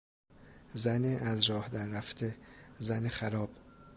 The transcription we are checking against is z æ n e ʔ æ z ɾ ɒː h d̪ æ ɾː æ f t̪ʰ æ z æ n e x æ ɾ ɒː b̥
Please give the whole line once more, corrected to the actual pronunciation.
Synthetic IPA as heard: z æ n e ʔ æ z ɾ ɒː h d̪ æ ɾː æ f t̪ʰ e z æ n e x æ ɾ ɒː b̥